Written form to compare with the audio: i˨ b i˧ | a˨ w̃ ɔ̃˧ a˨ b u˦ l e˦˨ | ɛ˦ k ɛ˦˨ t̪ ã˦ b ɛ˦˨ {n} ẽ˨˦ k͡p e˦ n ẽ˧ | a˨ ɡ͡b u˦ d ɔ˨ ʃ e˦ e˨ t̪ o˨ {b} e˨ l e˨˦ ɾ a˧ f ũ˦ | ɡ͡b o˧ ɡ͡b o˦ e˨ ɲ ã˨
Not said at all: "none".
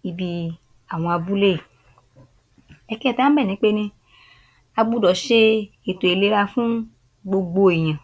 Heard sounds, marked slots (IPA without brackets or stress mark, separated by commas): n, none